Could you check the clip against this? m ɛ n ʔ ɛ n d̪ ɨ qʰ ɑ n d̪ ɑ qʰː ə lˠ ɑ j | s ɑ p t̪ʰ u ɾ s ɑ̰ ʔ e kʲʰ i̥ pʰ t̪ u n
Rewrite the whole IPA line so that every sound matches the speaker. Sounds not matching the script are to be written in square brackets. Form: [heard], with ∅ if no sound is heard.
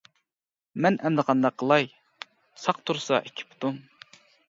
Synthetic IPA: m ɛ n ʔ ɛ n d̪ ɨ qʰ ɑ n d̪ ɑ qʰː ə lˠ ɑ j | s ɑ [q] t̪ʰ u ɾ s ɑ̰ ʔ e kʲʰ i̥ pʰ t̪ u [m]